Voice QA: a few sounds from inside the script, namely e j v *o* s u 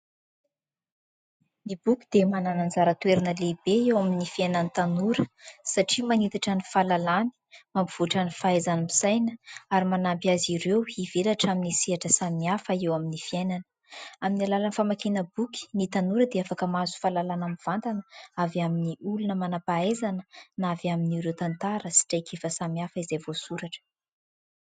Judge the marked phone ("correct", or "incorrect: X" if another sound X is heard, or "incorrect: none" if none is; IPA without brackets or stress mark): correct